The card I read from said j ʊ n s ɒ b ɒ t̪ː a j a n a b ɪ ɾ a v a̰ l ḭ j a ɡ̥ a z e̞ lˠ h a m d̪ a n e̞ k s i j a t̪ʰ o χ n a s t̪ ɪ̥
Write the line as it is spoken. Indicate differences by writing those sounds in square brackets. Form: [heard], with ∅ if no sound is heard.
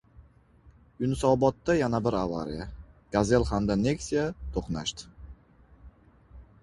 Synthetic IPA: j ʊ n s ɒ b ɒ t̪ː a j a n a b ɪ ɾ a v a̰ [ɾ] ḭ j a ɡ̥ a z e̞ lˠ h a m d̪ a n e̞ k s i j a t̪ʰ o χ n a [ʃ] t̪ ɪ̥